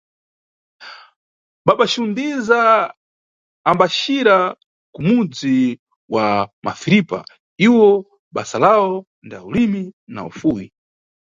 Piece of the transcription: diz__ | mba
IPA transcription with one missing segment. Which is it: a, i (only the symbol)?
a